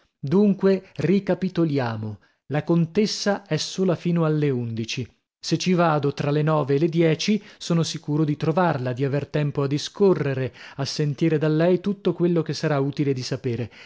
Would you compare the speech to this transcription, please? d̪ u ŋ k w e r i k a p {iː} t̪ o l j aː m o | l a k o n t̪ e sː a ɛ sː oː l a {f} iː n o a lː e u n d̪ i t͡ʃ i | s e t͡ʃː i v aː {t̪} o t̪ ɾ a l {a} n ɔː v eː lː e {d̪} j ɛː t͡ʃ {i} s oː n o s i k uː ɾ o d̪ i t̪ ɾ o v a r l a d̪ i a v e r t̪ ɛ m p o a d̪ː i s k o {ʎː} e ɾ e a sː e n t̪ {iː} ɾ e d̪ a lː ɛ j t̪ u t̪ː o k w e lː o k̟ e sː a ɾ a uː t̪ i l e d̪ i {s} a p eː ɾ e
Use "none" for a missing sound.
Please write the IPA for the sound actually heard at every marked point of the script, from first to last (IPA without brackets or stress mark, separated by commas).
i, f, d̪, e, d̪, i, rː, iː, s